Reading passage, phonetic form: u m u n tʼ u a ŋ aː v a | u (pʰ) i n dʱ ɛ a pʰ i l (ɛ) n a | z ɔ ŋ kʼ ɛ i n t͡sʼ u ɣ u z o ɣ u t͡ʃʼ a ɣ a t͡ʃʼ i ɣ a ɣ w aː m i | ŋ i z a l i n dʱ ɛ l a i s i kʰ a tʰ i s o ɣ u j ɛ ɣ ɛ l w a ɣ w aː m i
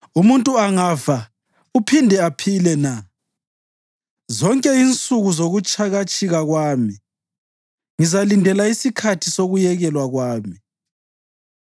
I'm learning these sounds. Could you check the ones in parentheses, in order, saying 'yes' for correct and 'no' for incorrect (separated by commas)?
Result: yes, yes